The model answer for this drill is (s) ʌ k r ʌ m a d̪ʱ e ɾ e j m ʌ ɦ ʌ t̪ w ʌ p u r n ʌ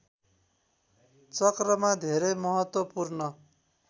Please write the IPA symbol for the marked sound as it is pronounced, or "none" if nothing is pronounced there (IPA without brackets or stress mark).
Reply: t͡s